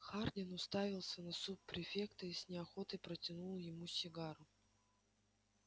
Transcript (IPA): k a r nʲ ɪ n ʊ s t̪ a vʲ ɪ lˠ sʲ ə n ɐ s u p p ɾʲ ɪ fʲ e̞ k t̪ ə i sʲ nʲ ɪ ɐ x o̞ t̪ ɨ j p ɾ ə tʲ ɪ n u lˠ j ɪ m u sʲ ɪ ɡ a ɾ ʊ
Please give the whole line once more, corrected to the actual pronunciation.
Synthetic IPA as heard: x a r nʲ ɪ n ʊ s t̪ a vʲ ɪ lˠ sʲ ə n ɐ s u p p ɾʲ ɪ fʲ e̞ k t̪ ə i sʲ nʲ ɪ ɐ x o̞ t̪ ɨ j p ɾ ə tʲ ɪ n u lˠ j ɪ m u sʲ ɪ ɡ a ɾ ʊ